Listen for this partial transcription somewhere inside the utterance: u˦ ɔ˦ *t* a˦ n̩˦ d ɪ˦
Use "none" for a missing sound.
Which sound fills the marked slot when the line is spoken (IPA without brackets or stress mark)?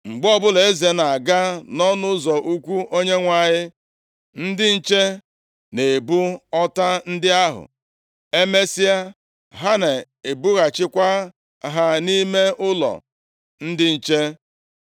t